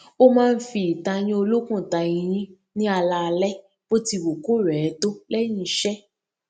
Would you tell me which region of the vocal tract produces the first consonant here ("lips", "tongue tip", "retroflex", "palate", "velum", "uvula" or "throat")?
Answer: lips